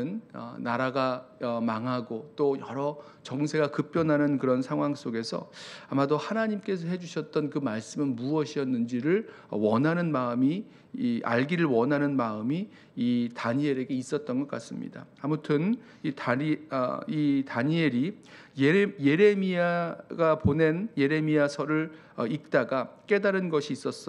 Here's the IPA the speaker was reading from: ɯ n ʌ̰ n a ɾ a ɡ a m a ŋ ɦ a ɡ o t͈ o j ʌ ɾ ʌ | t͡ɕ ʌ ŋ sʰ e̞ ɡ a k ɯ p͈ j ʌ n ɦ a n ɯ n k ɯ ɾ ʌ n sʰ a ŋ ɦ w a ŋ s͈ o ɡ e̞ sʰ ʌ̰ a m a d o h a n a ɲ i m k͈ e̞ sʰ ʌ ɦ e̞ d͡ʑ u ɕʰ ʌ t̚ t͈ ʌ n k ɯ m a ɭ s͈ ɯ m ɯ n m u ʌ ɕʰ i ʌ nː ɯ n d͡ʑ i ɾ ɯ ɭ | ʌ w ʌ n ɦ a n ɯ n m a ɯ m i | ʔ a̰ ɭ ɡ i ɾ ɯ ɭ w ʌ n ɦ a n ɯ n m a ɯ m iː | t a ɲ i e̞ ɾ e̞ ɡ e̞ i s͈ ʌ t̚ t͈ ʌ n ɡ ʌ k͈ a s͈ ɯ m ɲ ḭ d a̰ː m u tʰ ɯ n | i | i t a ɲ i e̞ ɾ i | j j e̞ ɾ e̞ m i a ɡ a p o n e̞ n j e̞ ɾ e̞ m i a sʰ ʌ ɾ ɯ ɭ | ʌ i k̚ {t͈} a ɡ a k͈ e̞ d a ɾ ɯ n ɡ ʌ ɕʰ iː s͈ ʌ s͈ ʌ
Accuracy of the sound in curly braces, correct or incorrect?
correct